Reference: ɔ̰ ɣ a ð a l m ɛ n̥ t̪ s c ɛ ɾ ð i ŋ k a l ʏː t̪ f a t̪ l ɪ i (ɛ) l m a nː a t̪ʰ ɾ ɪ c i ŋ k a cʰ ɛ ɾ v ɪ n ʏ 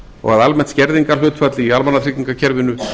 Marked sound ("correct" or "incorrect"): incorrect